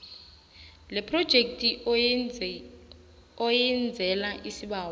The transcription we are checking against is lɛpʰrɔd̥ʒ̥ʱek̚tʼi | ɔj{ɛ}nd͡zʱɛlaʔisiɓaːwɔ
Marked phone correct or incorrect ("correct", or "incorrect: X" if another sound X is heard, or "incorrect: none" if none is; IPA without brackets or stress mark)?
correct